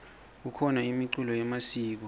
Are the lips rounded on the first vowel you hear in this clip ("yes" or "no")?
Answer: yes